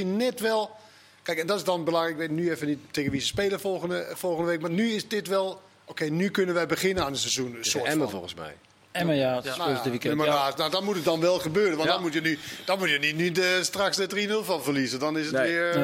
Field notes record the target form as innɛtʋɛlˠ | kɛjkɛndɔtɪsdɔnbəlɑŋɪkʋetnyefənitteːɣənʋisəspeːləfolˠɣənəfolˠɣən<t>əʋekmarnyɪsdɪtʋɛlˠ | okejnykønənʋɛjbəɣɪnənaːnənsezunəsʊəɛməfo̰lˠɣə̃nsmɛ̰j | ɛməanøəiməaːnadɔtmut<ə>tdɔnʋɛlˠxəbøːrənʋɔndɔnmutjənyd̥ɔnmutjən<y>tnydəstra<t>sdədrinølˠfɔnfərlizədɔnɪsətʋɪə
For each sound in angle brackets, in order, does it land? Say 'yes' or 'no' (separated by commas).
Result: no, yes, no, no